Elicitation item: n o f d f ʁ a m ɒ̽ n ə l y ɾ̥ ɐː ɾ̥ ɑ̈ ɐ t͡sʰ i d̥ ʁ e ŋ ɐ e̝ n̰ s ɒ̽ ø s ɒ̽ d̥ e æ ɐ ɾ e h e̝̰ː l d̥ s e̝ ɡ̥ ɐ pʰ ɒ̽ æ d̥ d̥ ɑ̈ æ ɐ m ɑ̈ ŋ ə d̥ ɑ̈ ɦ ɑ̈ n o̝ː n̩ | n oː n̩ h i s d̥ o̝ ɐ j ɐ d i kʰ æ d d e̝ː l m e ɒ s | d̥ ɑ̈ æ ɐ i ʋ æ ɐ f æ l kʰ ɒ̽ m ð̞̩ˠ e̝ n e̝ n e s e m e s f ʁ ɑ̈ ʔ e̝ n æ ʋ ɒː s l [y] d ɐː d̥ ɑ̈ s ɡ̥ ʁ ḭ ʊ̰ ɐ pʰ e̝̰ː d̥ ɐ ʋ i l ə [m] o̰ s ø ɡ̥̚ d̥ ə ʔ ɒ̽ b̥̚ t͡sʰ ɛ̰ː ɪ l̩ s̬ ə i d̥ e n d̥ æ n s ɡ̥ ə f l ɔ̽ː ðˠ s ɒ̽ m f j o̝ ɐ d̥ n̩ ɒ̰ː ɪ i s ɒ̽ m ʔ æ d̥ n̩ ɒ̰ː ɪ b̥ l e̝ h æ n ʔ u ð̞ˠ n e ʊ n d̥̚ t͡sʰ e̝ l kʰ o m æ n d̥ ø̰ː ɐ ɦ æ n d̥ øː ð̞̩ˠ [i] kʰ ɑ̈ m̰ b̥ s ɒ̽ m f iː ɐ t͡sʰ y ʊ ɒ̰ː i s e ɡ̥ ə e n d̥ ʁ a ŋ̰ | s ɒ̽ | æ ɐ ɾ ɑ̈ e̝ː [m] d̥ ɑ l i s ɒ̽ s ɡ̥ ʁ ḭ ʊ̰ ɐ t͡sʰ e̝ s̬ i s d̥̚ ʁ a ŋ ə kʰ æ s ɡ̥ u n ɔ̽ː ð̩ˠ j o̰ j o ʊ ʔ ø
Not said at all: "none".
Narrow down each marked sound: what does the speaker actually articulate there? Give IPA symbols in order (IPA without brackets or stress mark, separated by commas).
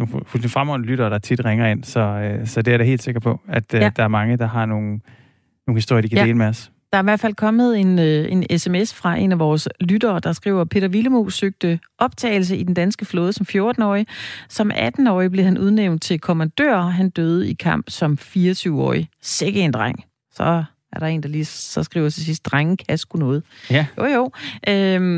y, m, i, n